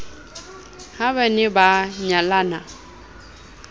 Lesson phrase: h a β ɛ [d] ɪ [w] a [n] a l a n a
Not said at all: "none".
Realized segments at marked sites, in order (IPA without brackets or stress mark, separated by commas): n, b, ɲ